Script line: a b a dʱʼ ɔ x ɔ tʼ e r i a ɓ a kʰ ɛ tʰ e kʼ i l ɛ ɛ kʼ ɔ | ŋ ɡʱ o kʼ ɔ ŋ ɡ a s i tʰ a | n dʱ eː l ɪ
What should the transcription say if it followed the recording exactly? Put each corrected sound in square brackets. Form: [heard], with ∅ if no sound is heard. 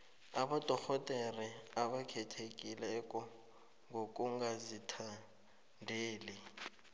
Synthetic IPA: a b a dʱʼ ɔ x ɔ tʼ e r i a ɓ a kʰ ɛ tʰ e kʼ i l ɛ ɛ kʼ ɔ | ŋ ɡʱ o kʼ [u] ŋ ɡ a [z] i tʰ a | n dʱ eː l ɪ